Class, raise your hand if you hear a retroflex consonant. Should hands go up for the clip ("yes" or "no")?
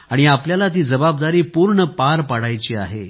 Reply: yes